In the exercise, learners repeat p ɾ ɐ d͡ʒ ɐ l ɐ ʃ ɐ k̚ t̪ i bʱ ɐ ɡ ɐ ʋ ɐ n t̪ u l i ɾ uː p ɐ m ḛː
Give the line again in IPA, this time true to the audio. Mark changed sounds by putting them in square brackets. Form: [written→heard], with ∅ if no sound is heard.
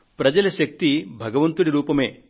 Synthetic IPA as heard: p ɾ ɐ d͡ʒ ɐ l ɐ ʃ ɐ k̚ t̪ i bʱ ɐ ɡ ɐ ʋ ɐ n t̪ u [l→ɽ] i ɾ uː p ɐ m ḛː